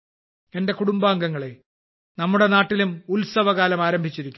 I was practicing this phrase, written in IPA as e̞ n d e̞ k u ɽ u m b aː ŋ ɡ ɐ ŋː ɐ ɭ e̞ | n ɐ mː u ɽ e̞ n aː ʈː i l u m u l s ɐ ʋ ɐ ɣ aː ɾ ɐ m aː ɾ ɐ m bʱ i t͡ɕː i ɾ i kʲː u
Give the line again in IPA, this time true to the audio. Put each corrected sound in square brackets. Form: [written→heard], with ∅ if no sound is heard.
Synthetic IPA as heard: e̞ n d e̞ k u ɽ u m b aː ŋ ɡ ɐ ŋː ɐ ɭ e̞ | n ɐ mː u ɽ e̞ n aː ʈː i l u m u l s ɐ ʋ ɐ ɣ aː [ɾ→l] ɐ m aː ɾ ɐ m bʱ i t͡ɕː i ɾ i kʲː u